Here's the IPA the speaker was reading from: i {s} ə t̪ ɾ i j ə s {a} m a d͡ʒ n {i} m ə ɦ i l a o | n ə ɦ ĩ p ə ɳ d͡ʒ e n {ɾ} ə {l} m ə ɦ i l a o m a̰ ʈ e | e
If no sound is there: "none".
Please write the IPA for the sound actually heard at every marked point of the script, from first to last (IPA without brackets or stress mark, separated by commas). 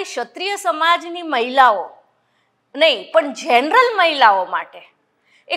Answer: ʃ, ə, i, ɾ, l